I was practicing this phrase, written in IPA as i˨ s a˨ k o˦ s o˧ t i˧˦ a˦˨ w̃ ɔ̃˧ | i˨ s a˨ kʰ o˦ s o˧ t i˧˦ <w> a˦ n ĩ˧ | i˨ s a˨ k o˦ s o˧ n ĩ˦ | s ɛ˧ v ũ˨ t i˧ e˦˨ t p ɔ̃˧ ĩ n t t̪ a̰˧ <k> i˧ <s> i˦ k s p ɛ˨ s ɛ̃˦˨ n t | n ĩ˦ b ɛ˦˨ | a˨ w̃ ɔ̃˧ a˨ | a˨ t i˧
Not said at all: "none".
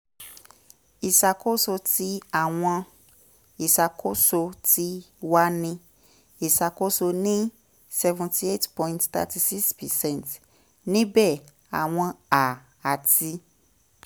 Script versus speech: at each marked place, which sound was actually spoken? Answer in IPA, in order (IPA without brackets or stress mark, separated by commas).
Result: w, t, s